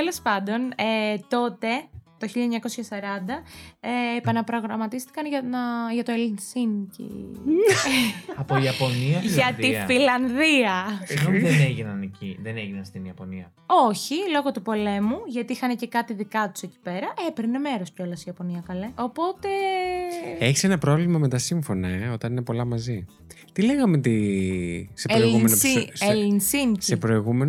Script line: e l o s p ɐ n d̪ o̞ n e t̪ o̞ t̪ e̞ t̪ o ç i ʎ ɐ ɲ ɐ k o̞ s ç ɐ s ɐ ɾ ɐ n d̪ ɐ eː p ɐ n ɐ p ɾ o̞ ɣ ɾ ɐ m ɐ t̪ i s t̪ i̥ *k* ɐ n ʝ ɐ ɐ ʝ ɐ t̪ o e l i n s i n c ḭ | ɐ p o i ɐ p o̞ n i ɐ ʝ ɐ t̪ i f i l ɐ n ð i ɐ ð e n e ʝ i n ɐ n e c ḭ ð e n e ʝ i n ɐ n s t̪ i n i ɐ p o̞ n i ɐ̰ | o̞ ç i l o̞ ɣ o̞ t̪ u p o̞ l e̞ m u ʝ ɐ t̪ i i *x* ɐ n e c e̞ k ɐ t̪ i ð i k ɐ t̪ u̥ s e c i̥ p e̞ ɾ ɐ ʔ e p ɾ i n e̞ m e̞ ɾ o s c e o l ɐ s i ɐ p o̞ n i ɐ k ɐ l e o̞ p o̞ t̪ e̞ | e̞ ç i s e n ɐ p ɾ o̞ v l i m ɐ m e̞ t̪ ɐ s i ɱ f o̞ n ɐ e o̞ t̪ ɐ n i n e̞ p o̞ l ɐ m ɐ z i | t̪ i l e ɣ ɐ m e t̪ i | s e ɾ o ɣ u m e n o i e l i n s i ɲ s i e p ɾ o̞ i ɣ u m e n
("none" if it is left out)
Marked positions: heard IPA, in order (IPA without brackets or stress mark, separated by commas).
k, x